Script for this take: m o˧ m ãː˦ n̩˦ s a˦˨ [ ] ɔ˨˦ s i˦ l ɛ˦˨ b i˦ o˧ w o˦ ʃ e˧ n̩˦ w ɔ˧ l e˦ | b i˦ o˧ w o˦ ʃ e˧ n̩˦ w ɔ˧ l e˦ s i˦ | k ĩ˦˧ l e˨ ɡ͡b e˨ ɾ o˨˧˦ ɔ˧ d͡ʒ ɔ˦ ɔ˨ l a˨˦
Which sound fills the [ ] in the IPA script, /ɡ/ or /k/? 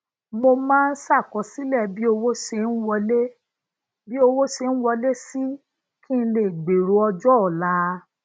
k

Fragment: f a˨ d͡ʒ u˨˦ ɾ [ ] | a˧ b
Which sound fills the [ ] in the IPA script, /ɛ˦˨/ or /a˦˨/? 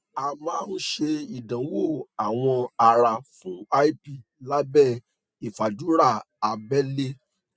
a˦˨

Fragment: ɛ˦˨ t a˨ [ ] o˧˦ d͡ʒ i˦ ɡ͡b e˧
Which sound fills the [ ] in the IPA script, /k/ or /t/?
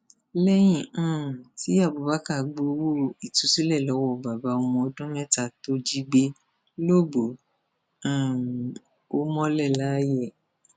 t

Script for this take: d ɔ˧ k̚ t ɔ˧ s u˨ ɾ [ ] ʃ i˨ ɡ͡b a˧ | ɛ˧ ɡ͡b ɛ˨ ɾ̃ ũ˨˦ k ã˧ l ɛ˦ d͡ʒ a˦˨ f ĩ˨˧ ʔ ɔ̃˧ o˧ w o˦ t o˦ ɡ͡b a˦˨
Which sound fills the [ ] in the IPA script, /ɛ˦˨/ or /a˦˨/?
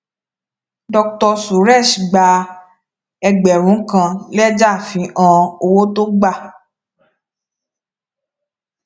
ɛ˦˨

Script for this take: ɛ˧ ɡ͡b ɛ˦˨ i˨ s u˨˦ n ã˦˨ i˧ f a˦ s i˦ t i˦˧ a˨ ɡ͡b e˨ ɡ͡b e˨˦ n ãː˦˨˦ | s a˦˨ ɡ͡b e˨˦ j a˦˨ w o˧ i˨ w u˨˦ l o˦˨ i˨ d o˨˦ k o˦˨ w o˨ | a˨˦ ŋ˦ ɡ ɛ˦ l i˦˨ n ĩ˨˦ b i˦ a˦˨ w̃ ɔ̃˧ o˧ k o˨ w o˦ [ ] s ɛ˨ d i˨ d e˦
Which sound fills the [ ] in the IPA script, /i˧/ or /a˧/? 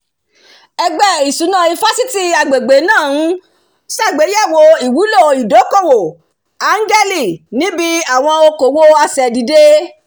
a˧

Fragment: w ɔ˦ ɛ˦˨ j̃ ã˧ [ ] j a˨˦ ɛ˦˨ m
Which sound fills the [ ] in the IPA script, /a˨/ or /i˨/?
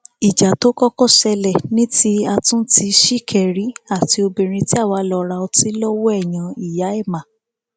i˨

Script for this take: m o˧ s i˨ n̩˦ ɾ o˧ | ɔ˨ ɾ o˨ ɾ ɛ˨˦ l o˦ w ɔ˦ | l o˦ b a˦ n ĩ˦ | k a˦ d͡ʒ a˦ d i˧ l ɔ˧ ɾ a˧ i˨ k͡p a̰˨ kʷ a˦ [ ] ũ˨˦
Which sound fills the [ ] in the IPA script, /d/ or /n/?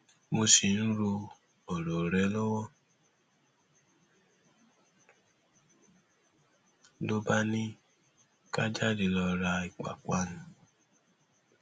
n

